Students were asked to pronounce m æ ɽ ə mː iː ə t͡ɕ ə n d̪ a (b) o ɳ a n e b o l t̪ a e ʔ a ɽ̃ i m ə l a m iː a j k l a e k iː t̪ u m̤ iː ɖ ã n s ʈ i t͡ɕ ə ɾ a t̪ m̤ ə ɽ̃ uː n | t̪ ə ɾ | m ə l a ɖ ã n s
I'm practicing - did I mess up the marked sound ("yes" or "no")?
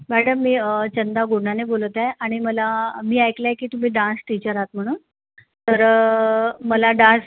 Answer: yes